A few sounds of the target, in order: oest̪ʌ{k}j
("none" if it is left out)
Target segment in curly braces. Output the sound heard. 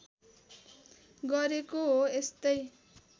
none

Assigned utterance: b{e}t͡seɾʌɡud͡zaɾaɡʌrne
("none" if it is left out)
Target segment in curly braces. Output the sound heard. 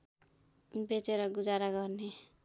e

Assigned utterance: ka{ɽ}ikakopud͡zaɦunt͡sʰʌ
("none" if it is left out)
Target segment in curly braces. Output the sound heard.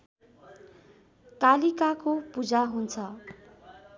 l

